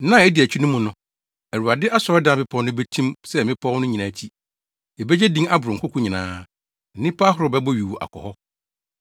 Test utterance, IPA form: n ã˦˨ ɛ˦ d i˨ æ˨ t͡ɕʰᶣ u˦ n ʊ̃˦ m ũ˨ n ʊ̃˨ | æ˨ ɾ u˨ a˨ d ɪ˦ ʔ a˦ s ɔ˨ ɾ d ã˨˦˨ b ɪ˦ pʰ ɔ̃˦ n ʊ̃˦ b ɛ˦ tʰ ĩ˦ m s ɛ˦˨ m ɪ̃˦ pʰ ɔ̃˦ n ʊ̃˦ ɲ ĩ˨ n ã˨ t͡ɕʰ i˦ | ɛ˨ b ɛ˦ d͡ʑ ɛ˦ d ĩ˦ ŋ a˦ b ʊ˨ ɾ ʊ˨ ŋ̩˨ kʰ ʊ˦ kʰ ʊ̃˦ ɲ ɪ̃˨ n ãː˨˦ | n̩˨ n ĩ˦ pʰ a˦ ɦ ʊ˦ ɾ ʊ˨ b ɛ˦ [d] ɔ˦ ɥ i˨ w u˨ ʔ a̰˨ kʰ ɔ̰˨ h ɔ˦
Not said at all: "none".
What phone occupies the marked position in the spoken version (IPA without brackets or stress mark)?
b